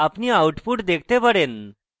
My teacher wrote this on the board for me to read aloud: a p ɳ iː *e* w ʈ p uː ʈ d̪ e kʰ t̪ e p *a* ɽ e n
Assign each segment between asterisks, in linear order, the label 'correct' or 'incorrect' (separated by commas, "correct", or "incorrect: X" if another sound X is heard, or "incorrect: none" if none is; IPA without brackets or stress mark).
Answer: incorrect: a, incorrect: ə